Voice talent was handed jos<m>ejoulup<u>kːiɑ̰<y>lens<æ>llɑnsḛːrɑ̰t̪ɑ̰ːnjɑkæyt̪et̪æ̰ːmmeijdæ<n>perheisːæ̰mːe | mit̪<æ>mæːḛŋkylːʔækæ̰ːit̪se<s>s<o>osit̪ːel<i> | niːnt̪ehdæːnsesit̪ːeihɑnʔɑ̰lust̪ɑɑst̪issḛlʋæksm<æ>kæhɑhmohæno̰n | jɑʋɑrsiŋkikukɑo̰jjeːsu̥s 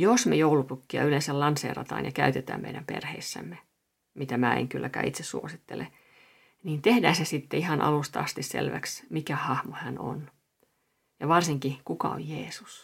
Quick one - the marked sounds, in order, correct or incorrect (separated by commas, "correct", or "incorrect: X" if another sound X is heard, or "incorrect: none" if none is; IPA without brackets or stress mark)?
correct, correct, correct, correct, incorrect: m, correct, correct, incorrect: u, incorrect: e, incorrect: i